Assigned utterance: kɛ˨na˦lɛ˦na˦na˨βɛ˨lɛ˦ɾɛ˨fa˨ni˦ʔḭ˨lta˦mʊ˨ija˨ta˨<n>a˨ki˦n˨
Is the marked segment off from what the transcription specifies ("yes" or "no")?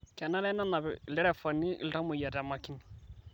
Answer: yes